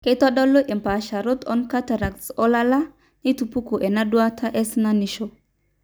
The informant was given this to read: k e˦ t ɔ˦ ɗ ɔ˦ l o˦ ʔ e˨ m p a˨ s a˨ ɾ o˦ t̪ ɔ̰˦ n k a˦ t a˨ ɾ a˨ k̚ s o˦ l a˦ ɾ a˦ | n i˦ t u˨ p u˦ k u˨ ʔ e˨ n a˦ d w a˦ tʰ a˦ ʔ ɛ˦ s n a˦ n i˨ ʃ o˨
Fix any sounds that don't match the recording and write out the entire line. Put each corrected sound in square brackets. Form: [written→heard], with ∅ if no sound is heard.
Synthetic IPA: k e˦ t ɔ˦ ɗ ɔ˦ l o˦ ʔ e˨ m p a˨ [s→ʃ] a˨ ɾ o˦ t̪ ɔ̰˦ n k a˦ t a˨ ɾ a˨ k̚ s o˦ l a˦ [ɾ→l] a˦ | n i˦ t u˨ p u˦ k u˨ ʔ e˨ n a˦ d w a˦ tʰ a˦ ʔ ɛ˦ s n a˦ n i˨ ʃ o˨